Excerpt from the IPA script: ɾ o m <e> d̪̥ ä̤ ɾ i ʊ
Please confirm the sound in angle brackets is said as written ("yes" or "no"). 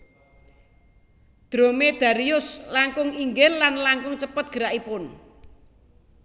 yes